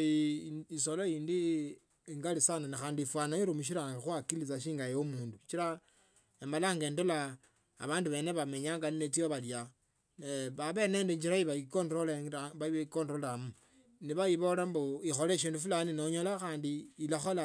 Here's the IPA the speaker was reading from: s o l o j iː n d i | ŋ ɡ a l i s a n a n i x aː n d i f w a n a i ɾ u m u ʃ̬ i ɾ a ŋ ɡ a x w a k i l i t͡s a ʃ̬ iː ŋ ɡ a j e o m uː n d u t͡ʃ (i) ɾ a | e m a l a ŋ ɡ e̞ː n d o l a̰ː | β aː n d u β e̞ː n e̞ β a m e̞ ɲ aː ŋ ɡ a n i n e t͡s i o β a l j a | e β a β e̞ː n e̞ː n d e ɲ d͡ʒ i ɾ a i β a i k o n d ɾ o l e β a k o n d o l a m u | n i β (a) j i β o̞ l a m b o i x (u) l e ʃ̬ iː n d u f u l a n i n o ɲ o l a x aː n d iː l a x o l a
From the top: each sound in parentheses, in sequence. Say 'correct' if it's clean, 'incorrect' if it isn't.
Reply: correct, correct, incorrect

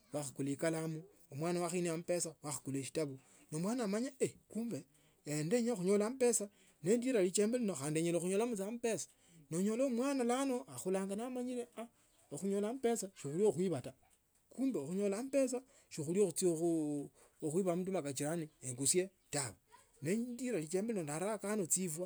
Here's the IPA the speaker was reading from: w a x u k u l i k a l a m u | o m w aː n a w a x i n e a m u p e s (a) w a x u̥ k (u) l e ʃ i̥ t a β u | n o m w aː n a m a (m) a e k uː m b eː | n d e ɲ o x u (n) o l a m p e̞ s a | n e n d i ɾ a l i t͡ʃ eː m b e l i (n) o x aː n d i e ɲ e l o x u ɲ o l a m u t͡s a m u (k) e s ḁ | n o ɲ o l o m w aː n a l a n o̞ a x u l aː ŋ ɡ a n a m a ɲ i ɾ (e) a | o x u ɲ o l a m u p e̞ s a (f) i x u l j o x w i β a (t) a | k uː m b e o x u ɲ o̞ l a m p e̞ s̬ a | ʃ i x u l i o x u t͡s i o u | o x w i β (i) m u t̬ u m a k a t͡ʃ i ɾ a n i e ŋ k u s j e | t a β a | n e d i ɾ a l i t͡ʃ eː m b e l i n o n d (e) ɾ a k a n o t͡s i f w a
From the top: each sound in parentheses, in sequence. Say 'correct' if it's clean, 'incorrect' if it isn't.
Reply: correct, correct, incorrect, incorrect, correct, incorrect, correct, incorrect, correct, incorrect, incorrect

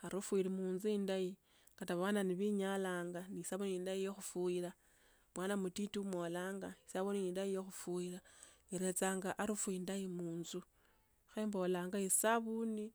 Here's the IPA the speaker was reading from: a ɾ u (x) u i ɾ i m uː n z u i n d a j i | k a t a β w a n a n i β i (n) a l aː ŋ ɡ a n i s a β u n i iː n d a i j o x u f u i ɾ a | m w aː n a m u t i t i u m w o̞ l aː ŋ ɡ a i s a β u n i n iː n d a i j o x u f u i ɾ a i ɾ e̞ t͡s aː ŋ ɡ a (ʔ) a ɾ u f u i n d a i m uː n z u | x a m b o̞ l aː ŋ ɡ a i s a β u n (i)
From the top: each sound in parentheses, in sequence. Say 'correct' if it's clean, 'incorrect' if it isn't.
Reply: incorrect, incorrect, correct, correct

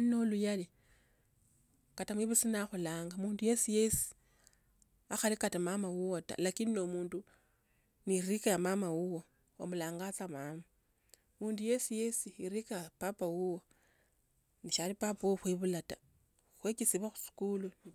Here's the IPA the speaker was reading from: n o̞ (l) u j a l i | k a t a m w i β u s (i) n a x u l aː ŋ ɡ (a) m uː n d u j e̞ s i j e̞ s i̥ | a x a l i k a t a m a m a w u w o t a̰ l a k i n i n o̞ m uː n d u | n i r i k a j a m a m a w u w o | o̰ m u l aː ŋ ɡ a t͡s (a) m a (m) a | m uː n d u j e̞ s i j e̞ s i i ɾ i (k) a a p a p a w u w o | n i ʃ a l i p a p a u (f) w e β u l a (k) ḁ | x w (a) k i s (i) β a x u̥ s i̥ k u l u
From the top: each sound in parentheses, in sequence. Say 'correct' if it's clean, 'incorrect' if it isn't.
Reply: correct, correct, correct, correct, correct, correct, incorrect, incorrect, incorrect, correct

